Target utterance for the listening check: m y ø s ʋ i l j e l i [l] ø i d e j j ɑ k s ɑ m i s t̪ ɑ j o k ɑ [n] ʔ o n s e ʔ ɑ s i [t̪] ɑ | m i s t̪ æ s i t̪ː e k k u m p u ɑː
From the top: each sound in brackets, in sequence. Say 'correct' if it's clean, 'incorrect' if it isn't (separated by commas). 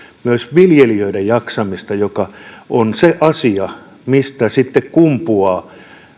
incorrect, incorrect, incorrect